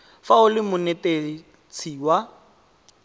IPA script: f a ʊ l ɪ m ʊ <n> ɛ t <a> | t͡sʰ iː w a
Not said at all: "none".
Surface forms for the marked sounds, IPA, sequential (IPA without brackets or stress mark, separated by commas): n, e